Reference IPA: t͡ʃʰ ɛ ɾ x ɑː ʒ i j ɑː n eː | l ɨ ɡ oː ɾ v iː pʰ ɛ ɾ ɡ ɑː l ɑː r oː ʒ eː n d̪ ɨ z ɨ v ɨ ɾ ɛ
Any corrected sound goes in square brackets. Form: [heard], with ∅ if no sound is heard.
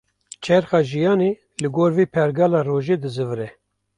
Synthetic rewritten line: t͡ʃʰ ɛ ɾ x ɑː ʒ i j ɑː n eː | l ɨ ɡ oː ɾ v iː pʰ ɛ ɾ ɡ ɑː l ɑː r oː ʒ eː [∅] d̪ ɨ z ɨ v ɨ ɾ ɛ